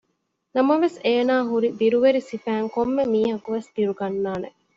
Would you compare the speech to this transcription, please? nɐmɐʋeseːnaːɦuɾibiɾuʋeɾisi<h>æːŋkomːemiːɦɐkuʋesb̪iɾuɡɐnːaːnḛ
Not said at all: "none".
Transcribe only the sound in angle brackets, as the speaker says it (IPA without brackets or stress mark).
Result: f